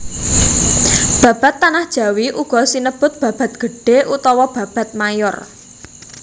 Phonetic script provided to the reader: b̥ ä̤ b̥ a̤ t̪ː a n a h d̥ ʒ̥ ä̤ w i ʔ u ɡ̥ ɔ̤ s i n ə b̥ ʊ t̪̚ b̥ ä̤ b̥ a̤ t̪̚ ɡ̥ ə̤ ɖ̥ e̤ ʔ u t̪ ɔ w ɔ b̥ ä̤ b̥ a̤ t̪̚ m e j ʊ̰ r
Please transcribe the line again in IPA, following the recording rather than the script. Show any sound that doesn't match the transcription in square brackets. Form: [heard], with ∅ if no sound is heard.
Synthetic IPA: b̥ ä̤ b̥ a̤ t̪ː a n a h d̥ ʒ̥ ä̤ w i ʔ u ɡ̥ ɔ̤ s i n ə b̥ ʊ t̪̚ b̥ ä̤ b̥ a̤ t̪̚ ɡ̥ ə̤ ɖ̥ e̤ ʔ u t̪ ɔ w ɔ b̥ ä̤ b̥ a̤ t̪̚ m [a] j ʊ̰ r